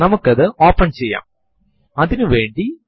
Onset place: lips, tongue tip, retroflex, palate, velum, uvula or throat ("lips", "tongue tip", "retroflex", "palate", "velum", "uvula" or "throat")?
tongue tip